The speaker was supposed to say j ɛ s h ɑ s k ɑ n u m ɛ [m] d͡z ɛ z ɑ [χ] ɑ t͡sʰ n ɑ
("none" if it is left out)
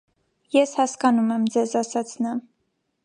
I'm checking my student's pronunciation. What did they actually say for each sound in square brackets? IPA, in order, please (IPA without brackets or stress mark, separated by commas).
m, s